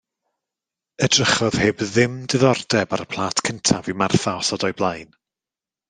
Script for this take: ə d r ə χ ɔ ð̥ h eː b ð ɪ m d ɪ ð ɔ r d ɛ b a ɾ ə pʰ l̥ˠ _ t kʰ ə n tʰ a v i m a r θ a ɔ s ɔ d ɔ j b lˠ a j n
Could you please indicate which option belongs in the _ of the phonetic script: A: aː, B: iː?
A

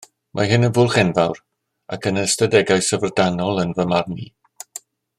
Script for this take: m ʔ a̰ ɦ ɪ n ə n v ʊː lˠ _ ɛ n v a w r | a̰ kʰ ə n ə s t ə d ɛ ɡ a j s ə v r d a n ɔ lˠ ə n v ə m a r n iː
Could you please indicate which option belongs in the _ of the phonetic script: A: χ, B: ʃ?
A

